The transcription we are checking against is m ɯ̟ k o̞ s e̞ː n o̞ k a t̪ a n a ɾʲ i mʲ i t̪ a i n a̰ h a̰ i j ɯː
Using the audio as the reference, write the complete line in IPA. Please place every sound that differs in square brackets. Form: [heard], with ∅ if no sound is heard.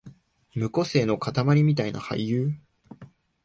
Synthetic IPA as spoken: m ɯ̟ k o̞ s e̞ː n o̞ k a t̪ a [m] a ɾʲ i mʲ i t̪ a i n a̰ h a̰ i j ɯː